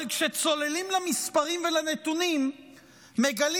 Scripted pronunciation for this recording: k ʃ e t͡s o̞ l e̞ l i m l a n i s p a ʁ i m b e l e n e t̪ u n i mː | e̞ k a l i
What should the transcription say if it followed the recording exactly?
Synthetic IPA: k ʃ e t͡s o̞ l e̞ l i m l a m i s p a ʁ i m v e l a n e t̪ u n i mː | e̞ ɡ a l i